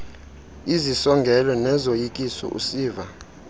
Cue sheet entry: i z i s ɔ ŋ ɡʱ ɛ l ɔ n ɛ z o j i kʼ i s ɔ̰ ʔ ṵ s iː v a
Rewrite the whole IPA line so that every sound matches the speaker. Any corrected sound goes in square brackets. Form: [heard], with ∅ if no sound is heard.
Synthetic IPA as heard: i z i s ɔ ŋ ɡʱ ɛ l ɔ n ɛ z o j i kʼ i s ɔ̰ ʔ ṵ s iː v a